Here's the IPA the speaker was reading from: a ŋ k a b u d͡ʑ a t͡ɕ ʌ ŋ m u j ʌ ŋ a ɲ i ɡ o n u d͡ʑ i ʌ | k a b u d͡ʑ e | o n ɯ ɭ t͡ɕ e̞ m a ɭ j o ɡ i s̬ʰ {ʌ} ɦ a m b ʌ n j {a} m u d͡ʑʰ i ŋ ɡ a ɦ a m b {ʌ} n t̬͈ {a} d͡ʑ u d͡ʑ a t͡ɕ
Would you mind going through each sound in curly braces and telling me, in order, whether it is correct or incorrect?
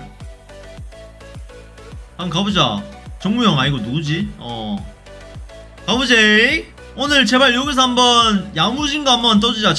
correct, correct, correct, incorrect: ʌ

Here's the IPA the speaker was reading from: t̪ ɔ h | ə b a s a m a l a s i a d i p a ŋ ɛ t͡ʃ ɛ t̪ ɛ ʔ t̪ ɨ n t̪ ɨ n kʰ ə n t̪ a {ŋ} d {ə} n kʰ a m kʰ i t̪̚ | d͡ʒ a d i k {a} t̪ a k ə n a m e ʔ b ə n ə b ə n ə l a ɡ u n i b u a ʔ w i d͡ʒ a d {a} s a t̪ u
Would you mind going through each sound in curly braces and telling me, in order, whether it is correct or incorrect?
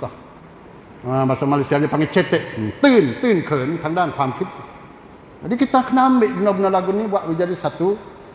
correct, incorrect: a, incorrect: i, incorrect: i

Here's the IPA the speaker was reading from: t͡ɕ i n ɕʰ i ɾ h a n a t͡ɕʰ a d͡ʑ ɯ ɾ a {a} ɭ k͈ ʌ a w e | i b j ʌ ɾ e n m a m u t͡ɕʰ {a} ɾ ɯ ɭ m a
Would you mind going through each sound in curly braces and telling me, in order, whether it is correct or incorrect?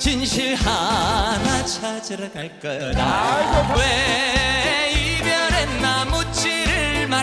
correct, incorrect: i

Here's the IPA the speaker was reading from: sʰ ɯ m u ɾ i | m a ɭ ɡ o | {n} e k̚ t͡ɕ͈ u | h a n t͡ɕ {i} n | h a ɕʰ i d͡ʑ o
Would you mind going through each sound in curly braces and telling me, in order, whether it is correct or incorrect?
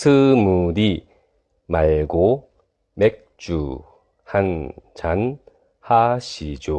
incorrect: m, incorrect: a

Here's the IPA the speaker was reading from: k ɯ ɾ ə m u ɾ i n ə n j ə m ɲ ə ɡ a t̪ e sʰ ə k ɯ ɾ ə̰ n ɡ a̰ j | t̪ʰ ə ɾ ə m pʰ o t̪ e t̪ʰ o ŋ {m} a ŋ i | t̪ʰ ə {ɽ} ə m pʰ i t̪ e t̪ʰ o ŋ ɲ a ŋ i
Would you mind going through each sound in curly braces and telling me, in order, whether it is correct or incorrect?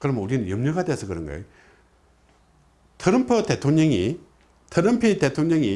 incorrect: ɲ, incorrect: ɾ

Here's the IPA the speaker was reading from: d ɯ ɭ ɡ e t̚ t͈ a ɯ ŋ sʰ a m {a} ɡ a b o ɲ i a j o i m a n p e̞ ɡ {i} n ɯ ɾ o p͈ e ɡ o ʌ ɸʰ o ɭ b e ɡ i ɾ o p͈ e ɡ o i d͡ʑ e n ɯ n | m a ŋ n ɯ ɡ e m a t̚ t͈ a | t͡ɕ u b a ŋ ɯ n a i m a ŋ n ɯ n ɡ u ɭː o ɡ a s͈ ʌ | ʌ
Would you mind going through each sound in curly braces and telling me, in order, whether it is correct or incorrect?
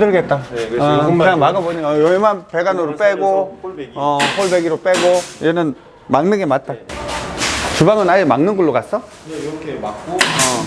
correct, incorrect: a

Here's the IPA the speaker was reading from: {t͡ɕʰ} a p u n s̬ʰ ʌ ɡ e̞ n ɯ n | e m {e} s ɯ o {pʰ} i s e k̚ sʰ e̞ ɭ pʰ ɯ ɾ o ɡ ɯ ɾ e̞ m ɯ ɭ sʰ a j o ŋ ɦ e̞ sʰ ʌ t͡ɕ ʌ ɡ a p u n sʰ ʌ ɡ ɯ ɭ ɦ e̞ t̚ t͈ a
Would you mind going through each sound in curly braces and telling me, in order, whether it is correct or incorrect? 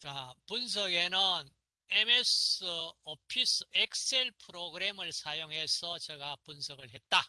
incorrect: t͡ɕ, correct, correct

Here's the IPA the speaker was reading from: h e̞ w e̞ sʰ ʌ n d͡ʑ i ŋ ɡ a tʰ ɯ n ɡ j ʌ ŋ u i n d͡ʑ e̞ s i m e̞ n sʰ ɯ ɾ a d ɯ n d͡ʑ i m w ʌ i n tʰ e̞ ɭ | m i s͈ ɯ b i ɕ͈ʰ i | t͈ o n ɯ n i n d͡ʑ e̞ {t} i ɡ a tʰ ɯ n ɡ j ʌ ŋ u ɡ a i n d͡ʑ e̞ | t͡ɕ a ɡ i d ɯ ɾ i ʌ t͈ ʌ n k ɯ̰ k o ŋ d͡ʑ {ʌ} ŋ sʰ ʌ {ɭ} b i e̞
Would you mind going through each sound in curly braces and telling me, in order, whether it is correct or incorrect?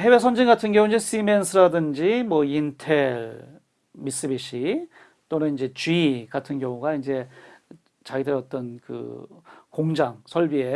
incorrect: t͡ɕ, incorrect: a, correct

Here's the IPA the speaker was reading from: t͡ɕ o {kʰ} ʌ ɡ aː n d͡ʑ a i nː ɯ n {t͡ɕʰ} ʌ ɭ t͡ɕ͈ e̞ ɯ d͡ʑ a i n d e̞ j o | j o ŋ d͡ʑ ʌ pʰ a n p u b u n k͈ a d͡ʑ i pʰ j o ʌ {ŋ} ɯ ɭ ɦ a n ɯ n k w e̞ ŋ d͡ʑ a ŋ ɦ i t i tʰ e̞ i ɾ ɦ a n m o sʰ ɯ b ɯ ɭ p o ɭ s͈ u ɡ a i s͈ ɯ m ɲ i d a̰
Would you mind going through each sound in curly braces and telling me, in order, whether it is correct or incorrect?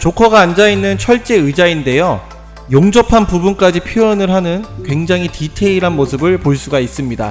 correct, correct, incorrect: n

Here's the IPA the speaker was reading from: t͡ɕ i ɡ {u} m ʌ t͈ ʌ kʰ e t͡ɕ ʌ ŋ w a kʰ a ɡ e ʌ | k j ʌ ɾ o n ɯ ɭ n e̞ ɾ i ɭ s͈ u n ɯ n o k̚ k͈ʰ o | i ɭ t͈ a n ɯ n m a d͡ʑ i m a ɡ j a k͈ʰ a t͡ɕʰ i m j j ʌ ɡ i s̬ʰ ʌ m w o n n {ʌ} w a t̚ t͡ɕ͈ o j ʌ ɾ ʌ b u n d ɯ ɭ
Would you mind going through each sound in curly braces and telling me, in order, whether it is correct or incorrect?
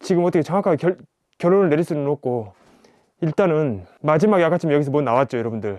incorrect: ɯ, incorrect: a

